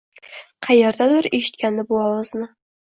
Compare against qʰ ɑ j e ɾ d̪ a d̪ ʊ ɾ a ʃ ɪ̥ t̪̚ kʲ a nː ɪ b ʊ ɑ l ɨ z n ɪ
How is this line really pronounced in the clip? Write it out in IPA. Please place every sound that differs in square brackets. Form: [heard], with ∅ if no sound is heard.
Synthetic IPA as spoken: qʰ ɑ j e ɾ d̪ a d̪ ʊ ɾ [e] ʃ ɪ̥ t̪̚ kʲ a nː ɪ b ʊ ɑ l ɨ z n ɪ